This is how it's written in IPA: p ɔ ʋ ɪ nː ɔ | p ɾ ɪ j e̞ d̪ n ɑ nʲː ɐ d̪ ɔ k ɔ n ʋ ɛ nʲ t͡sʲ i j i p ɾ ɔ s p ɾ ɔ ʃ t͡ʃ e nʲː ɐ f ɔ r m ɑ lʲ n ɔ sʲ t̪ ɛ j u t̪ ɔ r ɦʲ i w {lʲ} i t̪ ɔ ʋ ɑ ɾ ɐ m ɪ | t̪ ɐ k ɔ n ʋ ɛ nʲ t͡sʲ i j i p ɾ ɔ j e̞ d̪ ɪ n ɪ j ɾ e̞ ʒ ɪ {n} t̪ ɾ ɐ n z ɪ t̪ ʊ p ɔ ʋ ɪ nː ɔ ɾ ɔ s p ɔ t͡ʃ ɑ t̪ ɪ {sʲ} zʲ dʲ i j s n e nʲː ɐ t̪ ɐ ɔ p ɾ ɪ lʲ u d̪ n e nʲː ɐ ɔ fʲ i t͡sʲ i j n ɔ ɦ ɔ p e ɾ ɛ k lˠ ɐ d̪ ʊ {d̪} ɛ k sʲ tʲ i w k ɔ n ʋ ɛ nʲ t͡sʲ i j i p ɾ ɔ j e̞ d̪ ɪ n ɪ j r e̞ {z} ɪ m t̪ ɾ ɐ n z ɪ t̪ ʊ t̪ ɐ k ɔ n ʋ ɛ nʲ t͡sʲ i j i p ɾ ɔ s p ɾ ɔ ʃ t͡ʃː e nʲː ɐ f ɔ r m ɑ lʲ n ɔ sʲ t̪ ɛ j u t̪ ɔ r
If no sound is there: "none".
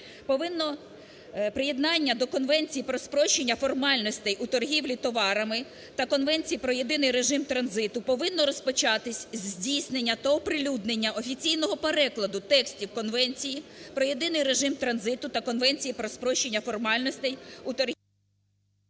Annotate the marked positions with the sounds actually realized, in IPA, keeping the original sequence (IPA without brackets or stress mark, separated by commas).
lʲ, m, sʲ, t̪, ʒ